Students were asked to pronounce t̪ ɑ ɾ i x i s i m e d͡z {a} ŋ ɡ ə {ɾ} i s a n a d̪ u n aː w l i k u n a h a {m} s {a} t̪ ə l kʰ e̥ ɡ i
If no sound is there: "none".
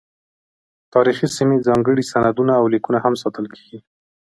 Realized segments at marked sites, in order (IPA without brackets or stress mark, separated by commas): ɑ, ɽ, m, ɑ